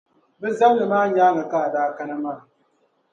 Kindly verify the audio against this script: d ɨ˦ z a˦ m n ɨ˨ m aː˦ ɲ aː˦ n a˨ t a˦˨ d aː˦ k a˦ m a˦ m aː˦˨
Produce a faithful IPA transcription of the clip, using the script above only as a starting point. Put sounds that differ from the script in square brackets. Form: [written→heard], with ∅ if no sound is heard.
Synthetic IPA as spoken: [d→b] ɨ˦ z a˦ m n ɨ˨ m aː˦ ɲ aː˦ [n→ŋ] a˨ [t→k] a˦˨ d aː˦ k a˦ [m→n] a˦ m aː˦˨